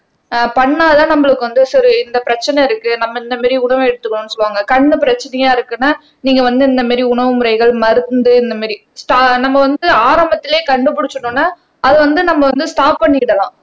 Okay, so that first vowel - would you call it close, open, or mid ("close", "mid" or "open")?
open